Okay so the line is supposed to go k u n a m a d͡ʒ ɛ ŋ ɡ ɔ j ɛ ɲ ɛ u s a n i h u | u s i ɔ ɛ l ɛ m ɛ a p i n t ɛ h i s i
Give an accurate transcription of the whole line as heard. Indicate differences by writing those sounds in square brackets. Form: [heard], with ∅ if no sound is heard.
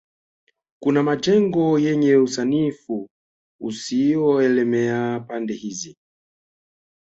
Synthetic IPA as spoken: k u n a m a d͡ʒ ɛ ŋ ɡ ɔ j ɛ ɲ ɛ u s a n i [f] u | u s i ɔ ɛ l ɛ m ɛ a p [a] n [d] ɛ h i [z] i